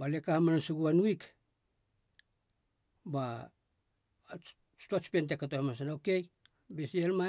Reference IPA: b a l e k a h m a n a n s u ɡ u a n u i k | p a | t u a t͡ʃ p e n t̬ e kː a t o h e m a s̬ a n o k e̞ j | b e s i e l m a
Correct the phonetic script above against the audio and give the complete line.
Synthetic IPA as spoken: b a l e k a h m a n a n s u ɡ u a n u i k | b a | t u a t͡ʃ p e n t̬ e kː a t o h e m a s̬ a n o k e̞ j | b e s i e l m a